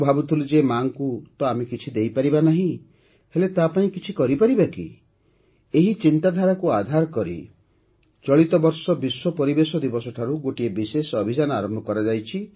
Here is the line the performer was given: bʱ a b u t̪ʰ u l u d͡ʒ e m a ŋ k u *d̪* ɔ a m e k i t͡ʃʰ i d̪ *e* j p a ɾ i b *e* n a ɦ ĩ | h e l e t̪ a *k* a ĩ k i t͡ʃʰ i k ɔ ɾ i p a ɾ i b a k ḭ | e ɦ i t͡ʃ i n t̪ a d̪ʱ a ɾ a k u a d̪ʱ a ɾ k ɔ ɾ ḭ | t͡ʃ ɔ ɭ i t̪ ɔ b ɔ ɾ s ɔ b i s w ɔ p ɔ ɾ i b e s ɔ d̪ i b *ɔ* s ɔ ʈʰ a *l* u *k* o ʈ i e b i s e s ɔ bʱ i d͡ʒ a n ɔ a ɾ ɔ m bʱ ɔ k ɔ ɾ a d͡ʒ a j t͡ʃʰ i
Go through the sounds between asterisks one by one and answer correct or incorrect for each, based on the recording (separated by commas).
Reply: incorrect, correct, incorrect, incorrect, correct, incorrect, incorrect